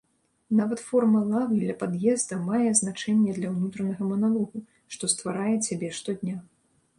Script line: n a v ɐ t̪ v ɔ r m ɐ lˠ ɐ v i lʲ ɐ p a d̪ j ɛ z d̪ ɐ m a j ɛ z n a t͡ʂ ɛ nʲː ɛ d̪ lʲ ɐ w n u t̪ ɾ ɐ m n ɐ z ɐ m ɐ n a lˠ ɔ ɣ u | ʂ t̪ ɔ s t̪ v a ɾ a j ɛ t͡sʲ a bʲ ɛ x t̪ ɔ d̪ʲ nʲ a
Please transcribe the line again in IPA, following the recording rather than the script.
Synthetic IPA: n a v ɐ t̪ f ɔ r m ɐ lˠ a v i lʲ ɐ p a d̪ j ɛ z d̪ ɐ m a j ɛ z n a t͡ʂ ɛ nʲː ɛ d̪ lʲ ɐ w n u t̪ ɾ ɐ n ɐ ɣ ɐ m ɐ n a lˠ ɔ ɣ u | ʂ t̪ ɔ s t̪ v a ɾ a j ɛ t͡sʲ a bʲ ɛ ʂ t̪ ɔ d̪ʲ nʲ a